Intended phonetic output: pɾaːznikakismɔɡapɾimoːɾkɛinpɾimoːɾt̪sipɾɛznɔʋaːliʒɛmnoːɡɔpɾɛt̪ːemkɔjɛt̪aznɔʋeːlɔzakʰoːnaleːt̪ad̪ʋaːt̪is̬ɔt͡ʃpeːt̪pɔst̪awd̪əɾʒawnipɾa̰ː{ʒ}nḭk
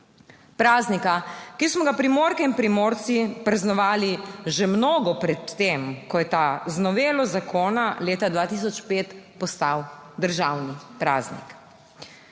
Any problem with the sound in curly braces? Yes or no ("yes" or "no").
yes